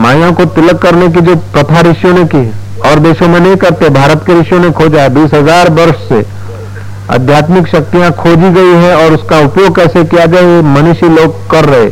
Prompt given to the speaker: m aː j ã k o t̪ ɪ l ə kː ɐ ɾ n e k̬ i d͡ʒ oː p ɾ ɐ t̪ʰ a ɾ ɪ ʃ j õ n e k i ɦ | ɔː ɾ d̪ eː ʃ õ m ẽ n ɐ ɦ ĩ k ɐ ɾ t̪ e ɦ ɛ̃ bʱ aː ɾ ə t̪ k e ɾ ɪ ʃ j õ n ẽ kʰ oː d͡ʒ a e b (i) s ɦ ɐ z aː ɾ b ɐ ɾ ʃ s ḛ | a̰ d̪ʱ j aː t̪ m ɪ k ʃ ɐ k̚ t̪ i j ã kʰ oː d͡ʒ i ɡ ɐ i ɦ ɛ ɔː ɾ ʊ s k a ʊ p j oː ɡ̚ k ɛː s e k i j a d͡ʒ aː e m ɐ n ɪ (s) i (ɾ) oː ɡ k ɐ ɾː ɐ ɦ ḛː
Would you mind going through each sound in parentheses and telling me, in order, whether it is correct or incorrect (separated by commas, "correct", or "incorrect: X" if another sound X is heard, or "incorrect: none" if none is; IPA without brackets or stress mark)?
incorrect: iː, incorrect: ʃ, incorrect: l